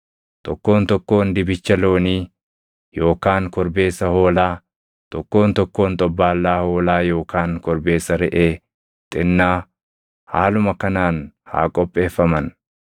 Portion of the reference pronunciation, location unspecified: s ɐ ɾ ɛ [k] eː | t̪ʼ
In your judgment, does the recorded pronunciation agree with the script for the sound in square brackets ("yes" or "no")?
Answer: no